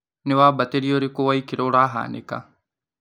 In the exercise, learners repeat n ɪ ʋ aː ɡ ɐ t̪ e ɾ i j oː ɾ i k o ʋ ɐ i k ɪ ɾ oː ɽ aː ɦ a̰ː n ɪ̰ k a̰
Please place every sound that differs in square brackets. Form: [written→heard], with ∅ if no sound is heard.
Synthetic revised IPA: n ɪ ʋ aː [ɡ→b] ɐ t̪ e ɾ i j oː ɾ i k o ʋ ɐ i k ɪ ɾ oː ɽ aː ɦ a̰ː n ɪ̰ k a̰